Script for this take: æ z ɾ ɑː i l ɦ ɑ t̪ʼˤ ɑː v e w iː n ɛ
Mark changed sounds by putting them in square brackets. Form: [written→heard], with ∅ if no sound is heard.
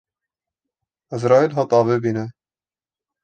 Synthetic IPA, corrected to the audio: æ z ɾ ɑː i l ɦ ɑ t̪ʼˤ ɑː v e [w→b] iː n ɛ